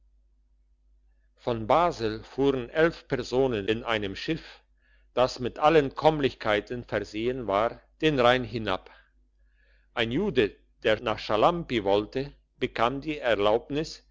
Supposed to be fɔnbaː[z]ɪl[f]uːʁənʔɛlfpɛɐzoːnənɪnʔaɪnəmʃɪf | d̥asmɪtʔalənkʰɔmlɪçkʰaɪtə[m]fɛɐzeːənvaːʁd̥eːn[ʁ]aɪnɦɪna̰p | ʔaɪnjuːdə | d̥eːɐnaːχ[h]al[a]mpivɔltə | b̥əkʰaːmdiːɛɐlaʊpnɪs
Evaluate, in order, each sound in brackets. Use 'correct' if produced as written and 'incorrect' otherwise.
correct, correct, incorrect: n, correct, incorrect: ʃ, correct

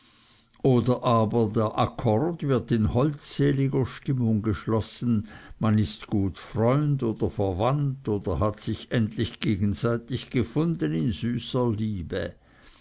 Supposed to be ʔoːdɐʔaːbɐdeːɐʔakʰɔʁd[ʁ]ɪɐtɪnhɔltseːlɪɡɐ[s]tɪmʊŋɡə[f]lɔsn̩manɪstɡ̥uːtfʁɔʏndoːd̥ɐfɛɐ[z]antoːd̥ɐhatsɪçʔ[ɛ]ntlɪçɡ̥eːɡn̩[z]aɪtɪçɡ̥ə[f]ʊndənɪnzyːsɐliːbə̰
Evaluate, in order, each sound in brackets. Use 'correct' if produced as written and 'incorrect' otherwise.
incorrect: v, incorrect: ʃ, incorrect: ʃ, incorrect: v, correct, correct, correct

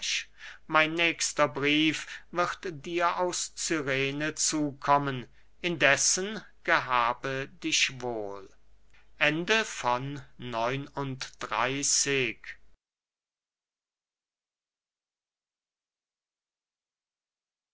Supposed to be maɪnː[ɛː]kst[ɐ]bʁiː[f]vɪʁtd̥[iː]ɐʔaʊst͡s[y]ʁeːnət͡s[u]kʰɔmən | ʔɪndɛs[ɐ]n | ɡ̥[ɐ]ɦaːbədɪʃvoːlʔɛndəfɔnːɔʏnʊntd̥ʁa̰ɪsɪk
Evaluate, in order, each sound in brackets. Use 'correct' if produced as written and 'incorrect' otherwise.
correct, correct, correct, correct, correct, incorrect: uː, incorrect: ə, incorrect: ə

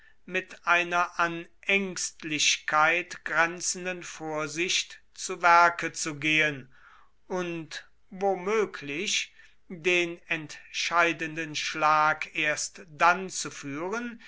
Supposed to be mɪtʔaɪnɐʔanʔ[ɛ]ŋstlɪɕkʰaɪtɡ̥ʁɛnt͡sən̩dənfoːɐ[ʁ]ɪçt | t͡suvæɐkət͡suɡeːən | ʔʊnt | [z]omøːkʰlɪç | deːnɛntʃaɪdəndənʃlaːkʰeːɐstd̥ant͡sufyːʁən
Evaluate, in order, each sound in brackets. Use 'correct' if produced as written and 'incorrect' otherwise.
correct, incorrect: z, incorrect: v

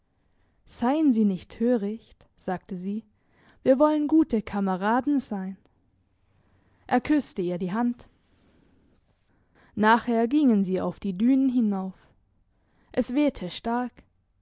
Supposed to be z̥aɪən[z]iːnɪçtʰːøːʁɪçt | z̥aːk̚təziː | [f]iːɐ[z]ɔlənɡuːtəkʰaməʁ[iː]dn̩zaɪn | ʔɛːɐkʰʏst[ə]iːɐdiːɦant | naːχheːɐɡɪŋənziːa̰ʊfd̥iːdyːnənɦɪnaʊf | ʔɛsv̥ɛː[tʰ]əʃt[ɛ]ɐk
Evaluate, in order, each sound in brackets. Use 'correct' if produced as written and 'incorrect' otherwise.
correct, incorrect: v, incorrect: v, incorrect: aː, correct, correct, incorrect: a

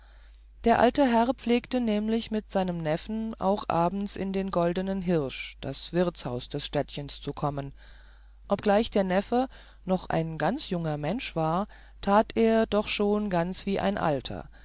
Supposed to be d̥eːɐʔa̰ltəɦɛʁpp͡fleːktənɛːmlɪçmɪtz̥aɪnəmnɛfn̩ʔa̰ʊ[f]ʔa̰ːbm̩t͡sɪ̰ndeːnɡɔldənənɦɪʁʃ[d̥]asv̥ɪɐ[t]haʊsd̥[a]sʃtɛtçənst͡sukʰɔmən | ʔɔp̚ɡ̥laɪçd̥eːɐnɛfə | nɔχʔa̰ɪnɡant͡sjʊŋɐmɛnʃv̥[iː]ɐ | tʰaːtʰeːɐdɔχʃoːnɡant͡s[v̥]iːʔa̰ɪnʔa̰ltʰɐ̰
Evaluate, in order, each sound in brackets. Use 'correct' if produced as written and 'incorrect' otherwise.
incorrect: x, correct, incorrect: t͡s, incorrect: ɛ, incorrect: aː, correct

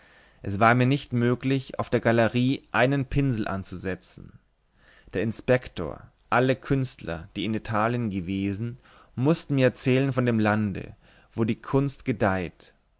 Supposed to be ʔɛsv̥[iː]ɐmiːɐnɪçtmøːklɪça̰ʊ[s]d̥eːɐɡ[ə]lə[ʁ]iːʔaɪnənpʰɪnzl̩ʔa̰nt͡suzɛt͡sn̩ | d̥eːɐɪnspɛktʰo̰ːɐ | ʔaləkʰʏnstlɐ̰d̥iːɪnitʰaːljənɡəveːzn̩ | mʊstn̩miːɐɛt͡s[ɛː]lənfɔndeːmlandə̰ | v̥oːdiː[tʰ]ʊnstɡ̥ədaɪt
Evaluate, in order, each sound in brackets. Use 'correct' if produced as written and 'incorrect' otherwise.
incorrect: aː, incorrect: f, incorrect: a, correct, correct, incorrect: kʰ

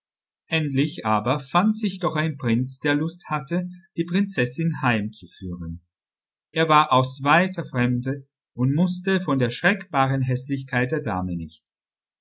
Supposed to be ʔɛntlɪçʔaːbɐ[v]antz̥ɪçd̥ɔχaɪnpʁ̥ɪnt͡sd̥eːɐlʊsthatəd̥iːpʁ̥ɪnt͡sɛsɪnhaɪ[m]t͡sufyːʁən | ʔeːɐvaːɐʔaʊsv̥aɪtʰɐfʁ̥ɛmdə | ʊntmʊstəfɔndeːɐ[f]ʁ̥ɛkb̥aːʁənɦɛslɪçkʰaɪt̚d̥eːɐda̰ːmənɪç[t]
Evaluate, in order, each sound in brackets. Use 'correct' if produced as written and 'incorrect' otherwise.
incorrect: f, correct, incorrect: ʃ, incorrect: t͡s

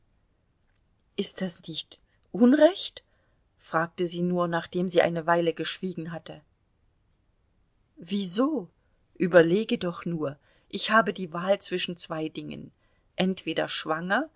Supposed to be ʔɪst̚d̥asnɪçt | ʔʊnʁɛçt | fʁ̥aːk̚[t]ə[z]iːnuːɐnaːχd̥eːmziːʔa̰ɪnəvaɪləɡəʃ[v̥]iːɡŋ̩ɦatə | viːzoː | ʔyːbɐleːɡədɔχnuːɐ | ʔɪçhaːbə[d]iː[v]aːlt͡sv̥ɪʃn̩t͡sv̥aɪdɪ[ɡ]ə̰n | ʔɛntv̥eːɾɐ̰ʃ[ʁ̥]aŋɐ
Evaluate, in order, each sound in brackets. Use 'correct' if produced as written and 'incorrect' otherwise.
correct, correct, correct, correct, correct, incorrect: ŋ, incorrect: v̥

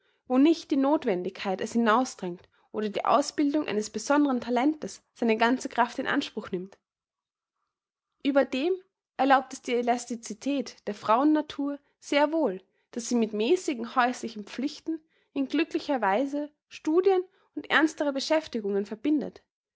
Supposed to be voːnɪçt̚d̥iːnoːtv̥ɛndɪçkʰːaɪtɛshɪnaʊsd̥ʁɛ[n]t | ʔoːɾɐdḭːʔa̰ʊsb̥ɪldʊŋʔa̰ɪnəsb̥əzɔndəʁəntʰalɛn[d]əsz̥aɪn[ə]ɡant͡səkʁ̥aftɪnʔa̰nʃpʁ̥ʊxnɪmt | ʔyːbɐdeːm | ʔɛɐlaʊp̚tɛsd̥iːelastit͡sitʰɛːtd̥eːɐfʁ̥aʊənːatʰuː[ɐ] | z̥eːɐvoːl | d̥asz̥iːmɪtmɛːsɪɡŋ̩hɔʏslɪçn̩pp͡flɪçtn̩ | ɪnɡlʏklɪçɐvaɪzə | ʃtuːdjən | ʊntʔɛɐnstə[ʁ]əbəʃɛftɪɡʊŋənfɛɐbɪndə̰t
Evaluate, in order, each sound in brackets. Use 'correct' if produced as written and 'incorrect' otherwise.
incorrect: ŋ, incorrect: t, correct, correct, correct

